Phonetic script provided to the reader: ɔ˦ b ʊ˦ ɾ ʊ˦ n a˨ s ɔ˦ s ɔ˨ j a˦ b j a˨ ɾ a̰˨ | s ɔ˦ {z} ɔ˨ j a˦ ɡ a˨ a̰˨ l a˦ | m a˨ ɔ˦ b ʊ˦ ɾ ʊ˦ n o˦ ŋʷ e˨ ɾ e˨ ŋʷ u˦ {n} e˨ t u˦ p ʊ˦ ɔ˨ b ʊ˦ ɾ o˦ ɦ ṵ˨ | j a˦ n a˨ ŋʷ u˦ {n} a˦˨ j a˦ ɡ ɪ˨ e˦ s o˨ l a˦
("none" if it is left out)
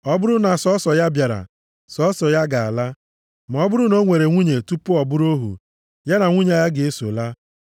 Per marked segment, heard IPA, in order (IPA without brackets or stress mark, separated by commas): s, ɲ, ɲ